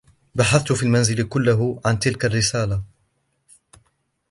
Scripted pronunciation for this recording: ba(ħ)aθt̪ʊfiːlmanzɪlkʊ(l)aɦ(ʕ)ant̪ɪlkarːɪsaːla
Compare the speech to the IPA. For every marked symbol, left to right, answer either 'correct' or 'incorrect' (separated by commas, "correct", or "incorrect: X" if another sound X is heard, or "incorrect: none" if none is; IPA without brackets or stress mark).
correct, incorrect: lː, correct